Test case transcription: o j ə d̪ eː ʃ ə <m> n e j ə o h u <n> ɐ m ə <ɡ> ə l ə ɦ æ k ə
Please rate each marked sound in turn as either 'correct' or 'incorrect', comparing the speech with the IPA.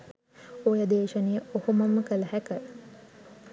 incorrect: none, incorrect: m, incorrect: k

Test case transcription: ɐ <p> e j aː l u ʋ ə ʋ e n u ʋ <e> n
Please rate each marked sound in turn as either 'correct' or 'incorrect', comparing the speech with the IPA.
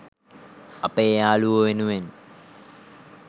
correct, correct

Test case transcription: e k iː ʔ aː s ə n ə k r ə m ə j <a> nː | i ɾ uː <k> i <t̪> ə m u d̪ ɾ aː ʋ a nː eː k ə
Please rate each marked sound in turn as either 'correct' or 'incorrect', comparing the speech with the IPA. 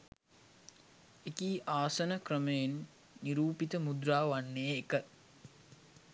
incorrect: e, incorrect: p, correct

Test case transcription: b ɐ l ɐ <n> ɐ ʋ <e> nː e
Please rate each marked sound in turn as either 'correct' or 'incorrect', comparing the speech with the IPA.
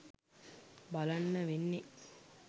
incorrect: nː, correct

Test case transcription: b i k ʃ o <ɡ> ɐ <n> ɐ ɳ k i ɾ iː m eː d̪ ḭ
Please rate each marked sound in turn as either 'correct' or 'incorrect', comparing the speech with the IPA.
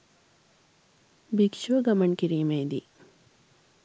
correct, incorrect: m

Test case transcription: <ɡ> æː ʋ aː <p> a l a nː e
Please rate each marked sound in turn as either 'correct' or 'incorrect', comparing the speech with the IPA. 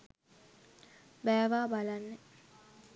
incorrect: b, incorrect: b

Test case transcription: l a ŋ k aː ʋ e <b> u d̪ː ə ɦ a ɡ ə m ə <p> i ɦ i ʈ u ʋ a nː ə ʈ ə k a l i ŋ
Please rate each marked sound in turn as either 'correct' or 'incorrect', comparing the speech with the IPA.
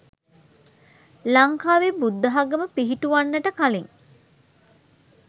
correct, correct

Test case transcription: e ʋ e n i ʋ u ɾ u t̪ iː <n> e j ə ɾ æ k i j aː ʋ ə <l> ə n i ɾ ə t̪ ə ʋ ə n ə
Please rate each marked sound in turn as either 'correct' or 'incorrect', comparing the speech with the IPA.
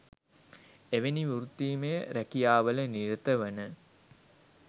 incorrect: m, correct

